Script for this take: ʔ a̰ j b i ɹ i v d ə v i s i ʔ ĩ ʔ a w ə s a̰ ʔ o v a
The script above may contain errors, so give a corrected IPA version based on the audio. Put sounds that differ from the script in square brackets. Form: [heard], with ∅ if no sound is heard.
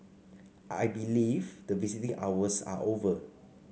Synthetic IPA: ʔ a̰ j b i [l] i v d ə v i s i [t] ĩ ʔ a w ə s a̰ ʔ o v [ə]